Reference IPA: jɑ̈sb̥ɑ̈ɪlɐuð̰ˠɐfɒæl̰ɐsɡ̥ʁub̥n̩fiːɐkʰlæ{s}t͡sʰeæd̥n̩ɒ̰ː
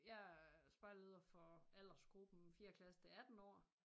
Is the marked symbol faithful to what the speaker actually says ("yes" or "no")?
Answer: yes